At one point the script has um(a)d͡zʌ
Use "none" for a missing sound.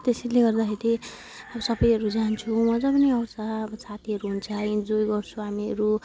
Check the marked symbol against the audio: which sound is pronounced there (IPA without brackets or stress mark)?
ʌ